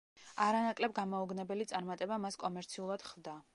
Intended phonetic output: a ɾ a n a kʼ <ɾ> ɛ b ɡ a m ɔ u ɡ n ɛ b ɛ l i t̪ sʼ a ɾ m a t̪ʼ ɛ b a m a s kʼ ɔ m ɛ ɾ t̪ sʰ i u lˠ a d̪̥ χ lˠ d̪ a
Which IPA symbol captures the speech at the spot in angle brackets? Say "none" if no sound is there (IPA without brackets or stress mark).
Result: l